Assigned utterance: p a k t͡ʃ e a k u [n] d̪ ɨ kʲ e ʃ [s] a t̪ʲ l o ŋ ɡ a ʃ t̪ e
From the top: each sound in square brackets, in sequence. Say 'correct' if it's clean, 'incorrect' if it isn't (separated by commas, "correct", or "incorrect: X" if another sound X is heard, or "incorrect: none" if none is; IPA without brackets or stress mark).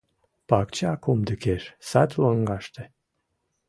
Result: incorrect: m, correct